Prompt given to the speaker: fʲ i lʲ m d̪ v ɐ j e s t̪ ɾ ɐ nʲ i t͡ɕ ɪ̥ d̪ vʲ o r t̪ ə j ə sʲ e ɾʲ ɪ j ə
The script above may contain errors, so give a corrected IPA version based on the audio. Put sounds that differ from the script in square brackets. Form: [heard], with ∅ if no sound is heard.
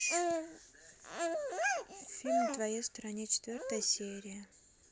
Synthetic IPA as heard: fʲ i lʲ m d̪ v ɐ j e s t̪ ɾ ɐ nʲ [e] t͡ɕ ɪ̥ [t̪] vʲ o r t̪ ə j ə sʲ e ɾʲ ɪ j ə

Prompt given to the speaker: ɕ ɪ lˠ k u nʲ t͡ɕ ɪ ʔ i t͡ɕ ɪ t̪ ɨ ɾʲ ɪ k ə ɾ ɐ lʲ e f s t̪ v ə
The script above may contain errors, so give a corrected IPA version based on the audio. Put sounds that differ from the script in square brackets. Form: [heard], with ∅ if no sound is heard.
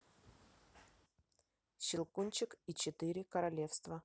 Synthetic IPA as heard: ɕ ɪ lˠ k u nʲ t͡ɕ ɪ [k] i t͡ɕ ɪ t̪ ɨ ɾʲ ɪ k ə ɾ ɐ lʲ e f s t̪ v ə

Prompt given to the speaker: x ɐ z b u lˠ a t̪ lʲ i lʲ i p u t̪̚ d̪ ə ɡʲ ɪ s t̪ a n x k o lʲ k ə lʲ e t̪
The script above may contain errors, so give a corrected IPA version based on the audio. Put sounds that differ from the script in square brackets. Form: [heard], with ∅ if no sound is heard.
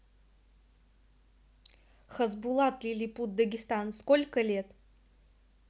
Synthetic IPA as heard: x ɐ z b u lˠ a t̪ lʲ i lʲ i p u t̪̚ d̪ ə ɡʲ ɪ s t̪ a n [s] k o lʲ k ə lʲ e t̪

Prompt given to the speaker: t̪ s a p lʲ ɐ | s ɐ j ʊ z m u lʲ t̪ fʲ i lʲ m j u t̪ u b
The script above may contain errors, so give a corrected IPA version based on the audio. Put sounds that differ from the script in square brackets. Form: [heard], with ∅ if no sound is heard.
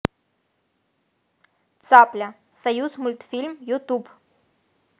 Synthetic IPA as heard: t̪ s a p lʲ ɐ | s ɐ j [u] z m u lʲ t̪ fʲ i lʲ m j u t̪ u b

